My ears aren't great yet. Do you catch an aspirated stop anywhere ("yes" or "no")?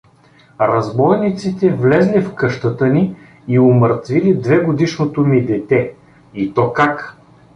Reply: no